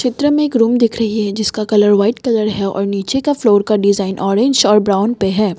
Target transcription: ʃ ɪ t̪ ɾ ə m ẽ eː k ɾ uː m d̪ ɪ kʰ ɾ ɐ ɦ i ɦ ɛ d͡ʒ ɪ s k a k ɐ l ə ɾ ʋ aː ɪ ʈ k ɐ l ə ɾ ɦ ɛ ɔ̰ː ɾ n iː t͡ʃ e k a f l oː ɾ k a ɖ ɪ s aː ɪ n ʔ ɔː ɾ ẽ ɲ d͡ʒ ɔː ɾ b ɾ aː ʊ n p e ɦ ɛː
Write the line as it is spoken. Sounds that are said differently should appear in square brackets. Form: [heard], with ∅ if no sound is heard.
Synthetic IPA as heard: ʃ ɪ t̪ ɾ ə m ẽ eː k ɾ uː m d̪ ɪ kʰ ɾ ɐ ɦ i ɦ ɛ d͡ʒ ɪ s k a k ɐ l ə ɾ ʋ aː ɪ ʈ k ɐ l ə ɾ ɦ ɛ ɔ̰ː ɾ n iː t͡ʃ e k a f l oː ɾ k a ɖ ɪ [z] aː ɪ n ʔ ɔː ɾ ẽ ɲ d͡ʒ ɔː ɾ b ɾ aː ʊ n p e ɦ ɛː